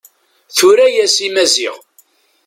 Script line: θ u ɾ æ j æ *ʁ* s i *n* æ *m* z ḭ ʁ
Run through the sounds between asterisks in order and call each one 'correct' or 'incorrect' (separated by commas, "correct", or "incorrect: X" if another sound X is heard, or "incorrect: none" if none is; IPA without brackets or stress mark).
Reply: incorrect: none, incorrect: m, incorrect: none